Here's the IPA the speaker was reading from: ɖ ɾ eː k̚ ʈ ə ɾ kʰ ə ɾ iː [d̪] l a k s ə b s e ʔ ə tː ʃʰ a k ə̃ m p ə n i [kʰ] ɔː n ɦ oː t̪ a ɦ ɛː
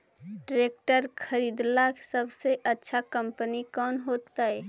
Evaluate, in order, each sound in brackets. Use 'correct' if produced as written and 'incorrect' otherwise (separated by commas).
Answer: correct, incorrect